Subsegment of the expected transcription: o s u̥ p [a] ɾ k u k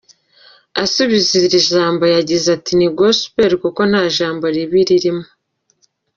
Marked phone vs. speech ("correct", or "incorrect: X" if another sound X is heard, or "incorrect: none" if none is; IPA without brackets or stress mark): incorrect: e